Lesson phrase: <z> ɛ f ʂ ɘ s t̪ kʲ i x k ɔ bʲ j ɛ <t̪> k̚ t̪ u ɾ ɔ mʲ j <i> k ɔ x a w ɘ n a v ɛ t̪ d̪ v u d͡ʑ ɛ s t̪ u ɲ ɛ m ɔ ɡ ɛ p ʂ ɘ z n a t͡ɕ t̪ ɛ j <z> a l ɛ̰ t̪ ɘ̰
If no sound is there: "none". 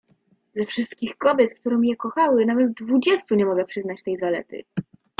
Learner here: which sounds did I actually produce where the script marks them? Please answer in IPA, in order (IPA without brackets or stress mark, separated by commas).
z, t̪, ɛ, z